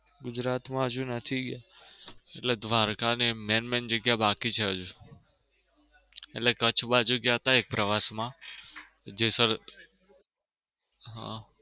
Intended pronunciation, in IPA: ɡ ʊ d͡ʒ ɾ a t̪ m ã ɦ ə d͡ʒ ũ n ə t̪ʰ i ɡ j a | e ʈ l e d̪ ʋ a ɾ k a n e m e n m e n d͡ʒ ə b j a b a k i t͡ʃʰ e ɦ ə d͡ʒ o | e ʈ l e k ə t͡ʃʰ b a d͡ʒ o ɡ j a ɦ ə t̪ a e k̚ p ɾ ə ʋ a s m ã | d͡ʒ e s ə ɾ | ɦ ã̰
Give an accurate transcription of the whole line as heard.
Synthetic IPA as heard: ɡ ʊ d͡ʒ ɾ a t̪ m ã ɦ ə d͡ʒ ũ n ə t̪ʰ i ɡ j a | e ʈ l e d̪ ʋ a ɾ k a n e m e n m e n d͡ʒ ə ɡ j a b a k i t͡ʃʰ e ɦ ə d͡ʒ u | e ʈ l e k ə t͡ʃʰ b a d͡ʒ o ɡ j a ɦ ə t̪ a e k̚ p ɾ ə ʋ a s m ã | d͡ʒ e s ə ɾ | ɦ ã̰